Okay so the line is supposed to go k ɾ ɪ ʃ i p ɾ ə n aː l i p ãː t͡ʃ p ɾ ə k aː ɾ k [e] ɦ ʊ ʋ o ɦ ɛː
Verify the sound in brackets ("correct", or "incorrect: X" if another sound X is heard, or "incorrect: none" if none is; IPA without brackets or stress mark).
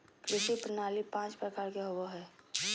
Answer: correct